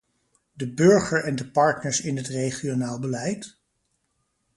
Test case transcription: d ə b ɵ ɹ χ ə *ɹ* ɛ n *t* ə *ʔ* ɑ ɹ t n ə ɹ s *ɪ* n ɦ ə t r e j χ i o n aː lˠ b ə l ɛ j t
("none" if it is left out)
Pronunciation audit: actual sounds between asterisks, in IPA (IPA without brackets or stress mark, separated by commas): ɹ, d, p, ɪ